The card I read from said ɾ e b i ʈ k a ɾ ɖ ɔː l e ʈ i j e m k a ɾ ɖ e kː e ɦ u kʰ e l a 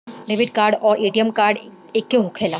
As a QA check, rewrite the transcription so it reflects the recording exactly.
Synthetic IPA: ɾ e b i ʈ k a ɾ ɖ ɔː ɾ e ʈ i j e m k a ɾ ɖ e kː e ɦ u kʰ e l a